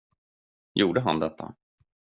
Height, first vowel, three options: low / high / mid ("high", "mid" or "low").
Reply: high